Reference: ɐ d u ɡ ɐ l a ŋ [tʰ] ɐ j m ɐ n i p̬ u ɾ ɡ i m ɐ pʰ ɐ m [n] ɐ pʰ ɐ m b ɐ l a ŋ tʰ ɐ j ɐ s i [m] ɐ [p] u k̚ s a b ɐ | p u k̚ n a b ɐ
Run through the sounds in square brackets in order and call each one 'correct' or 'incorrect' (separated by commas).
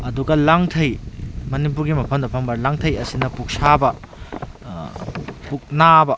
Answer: correct, incorrect, incorrect, correct